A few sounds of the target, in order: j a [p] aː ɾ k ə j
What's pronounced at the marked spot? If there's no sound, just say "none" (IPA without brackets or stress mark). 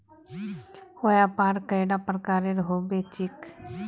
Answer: p